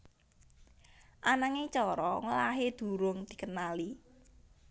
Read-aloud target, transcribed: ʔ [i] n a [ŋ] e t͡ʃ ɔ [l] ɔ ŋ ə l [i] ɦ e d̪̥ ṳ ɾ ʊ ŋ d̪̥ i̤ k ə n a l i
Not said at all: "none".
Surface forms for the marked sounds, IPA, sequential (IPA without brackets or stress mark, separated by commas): a, ŋ, ɾ, a